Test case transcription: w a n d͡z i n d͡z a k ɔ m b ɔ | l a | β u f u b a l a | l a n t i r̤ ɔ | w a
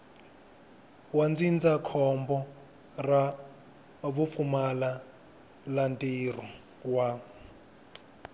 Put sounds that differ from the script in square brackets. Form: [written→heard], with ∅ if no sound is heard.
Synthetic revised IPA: w a n d͡z i n d͡z a [k→kʰ] ɔ m b ɔ | [l→r] a | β u f u [b→m] a l a | l a n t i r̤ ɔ | w a